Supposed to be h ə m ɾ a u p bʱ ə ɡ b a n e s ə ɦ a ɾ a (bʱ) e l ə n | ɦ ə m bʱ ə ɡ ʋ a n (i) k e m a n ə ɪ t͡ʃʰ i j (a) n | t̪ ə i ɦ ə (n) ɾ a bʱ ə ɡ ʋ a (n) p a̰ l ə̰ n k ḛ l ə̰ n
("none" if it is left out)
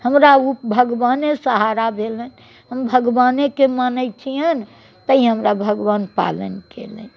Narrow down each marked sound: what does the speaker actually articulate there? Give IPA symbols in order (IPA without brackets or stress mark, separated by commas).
bʱ, e, ə, m, n